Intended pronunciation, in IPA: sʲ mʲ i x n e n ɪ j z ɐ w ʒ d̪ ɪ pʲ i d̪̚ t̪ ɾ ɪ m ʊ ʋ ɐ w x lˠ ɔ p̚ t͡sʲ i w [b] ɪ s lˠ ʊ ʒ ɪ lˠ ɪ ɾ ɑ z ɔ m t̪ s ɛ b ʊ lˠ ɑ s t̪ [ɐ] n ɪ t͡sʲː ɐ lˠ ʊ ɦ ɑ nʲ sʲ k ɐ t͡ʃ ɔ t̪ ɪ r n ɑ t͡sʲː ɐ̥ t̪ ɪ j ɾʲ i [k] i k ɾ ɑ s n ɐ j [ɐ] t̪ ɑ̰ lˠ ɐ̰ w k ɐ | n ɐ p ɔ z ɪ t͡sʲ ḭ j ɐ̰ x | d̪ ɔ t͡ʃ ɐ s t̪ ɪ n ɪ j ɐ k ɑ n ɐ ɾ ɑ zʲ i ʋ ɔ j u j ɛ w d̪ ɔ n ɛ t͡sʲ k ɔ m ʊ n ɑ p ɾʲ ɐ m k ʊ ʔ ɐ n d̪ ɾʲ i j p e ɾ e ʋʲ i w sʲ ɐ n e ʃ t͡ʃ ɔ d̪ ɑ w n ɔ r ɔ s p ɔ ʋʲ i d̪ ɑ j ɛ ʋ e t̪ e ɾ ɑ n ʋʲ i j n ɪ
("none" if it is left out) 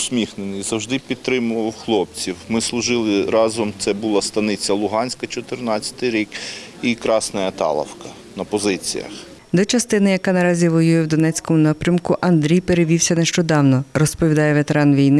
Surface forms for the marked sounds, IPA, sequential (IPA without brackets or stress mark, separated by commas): m, ɐ, k, ɐ